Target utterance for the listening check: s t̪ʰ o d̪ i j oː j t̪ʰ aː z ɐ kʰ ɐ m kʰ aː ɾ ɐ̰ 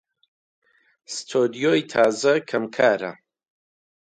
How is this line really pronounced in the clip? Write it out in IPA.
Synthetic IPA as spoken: s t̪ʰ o d̪ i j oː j t̪ʰ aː z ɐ kʰ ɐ m kʰ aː ɾ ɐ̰